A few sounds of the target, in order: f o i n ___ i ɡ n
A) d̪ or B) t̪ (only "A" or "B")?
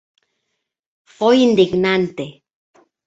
A